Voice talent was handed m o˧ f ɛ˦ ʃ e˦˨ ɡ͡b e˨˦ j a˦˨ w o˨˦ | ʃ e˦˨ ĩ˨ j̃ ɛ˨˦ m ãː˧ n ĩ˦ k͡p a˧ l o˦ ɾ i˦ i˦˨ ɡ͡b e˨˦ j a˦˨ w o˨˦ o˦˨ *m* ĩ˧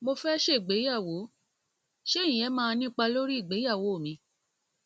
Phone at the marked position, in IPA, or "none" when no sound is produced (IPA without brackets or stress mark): m